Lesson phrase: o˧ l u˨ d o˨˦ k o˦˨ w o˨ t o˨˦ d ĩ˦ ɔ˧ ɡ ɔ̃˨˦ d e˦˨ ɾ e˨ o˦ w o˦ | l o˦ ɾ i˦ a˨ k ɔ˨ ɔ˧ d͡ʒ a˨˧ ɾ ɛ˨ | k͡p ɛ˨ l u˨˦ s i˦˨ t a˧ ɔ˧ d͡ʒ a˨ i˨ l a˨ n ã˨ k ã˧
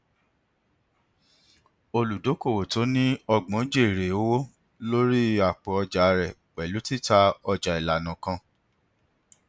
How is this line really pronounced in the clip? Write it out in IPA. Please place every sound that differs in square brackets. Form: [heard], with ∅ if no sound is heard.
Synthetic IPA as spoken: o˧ l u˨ d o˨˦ k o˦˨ w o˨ t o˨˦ [n] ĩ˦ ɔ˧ [ɡ͡b] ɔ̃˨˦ [d͡ʒ] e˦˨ ɾ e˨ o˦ w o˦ | l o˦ ɾ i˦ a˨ [k͡p] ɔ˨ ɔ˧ d͡ʒ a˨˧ ɾ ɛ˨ | k͡p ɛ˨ l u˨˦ [t] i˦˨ t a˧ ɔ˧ d͡ʒ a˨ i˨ l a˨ n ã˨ k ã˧